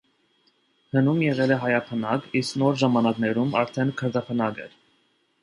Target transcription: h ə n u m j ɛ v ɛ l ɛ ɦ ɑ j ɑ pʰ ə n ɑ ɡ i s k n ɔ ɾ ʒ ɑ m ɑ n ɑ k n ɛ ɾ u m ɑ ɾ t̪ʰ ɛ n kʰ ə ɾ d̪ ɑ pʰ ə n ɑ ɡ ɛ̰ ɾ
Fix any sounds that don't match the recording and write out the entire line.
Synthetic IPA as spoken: h ə n u m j ɛ ʁ ɛ l ɛ ɦ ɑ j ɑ pʰ ə n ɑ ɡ i s k n ɔ ɾ ʒ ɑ m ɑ n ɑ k n ɛ ɾ u m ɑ ɾ t̪ʰ ɛ n kʰ ə ɾ d̪ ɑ pʰ ə n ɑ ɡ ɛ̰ ɾ